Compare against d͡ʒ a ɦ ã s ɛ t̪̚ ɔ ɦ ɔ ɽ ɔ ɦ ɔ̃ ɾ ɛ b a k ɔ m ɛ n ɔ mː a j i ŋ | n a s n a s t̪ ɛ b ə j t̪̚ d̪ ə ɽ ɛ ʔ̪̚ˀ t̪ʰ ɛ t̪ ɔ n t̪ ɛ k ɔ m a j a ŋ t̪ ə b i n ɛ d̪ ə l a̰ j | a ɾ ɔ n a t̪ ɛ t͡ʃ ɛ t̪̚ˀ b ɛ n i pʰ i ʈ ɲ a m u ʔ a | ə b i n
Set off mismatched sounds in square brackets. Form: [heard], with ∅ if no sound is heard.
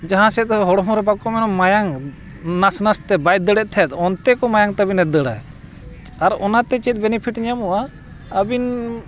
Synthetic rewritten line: d͡ʒ a ɦ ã s ɛ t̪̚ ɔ ɦ ɔ ɽ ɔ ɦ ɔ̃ ɾ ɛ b a k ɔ m ɛ n ɔ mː a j [a] ŋ | n a s n a s t̪ ɛ b [a] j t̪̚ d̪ ə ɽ ɛ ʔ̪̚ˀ t̪ʰ ɛ t̪ ɔ n t̪ ɛ k ɔ m a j a ŋ t̪ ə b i n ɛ d̪ ə [ɽ] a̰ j | a ɾ ɔ n a t̪ ɛ t͡ʃ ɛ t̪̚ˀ b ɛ n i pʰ i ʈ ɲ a m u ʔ a | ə b i n